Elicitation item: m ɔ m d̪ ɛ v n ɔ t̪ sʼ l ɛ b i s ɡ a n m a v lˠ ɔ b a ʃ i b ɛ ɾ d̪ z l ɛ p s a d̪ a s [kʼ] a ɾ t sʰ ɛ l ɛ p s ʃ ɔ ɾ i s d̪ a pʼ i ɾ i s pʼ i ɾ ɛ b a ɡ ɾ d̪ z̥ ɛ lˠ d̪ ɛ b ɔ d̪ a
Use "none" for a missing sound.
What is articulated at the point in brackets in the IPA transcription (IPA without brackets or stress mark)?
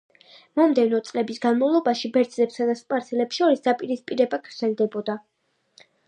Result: pʼ